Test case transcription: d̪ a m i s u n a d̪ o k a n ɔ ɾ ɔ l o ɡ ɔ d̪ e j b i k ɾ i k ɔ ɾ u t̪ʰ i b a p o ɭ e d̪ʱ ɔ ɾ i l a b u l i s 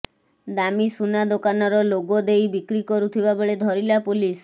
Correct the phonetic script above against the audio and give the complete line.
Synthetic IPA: d̪ a m i s u n a d̪ o k a n ɔ ɾ ɔ l o ɡ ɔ d̪ e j b i k ɾ i k ɔ ɾ u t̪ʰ i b a b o ɭ e d̪ʱ ɔ ɾ i l a p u l i s